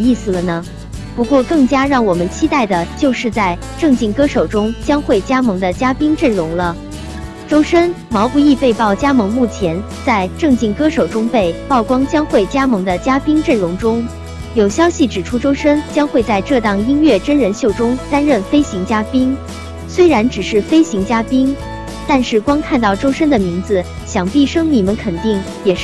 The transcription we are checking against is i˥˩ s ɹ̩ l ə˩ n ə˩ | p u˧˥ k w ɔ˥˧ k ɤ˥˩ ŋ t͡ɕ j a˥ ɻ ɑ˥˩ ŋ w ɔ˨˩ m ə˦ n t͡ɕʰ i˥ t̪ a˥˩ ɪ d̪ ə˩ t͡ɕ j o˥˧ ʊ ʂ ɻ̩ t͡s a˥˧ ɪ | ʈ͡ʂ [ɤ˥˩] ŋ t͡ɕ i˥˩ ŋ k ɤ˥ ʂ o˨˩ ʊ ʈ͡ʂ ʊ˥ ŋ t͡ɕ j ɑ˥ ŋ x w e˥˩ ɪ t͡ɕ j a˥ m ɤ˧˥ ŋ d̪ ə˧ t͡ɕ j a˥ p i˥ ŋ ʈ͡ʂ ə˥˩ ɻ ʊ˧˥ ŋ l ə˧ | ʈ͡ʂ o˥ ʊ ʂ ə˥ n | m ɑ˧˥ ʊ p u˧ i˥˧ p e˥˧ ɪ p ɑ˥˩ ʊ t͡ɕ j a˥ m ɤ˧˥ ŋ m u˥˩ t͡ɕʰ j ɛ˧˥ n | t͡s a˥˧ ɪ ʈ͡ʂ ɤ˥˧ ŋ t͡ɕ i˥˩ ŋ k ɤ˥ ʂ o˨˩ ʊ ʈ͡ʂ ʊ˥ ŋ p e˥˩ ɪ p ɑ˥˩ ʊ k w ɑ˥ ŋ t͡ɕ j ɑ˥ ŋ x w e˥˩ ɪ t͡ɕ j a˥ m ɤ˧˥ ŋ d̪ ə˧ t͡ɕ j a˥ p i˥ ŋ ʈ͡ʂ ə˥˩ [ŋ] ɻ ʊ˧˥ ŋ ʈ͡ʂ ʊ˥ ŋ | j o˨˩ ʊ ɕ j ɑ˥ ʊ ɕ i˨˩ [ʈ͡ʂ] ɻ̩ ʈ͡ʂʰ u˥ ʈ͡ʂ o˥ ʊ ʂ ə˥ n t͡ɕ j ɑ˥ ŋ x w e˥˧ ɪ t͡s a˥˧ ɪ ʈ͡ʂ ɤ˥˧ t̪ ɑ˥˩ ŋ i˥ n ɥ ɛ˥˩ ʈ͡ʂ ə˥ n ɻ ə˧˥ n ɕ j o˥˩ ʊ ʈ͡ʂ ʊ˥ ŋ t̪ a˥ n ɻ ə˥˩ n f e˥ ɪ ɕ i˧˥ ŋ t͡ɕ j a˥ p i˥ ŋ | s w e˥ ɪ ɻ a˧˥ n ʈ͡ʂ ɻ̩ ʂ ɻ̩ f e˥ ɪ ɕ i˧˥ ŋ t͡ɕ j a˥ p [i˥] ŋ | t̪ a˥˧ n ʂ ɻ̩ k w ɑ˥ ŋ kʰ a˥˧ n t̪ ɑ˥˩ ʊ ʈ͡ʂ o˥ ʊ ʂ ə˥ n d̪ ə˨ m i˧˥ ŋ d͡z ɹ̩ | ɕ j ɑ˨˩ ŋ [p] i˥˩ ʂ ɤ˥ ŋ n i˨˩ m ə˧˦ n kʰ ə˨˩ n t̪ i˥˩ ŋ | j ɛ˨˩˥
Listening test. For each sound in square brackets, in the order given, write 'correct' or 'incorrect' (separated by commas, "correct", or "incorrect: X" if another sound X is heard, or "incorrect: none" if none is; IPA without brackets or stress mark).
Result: incorrect: ɤ˥˧, incorrect: n, correct, correct, correct